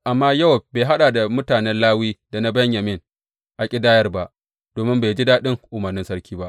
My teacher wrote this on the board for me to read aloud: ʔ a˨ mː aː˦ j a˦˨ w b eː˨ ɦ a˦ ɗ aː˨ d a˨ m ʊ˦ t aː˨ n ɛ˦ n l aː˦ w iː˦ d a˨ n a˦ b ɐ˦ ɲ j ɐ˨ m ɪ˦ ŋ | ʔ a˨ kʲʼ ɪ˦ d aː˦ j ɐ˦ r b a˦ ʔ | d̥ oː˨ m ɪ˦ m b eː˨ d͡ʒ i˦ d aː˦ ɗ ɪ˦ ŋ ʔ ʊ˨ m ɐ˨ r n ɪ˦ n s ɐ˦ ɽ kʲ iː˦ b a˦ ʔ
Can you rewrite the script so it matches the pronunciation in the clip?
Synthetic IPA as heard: ʔ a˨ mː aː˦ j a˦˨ w b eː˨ ɦ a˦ ɗ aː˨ d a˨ m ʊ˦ t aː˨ n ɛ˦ n l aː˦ w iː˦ d a˨ n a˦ b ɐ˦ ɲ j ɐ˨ m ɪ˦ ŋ | ʔ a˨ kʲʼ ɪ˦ d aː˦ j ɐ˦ r b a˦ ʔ | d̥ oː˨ m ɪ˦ m b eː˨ d͡ʒ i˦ d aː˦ ɗ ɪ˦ ŋ ʔ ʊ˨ m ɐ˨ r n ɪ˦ n s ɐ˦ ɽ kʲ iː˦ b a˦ ʔ